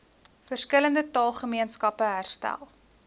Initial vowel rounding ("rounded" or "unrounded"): unrounded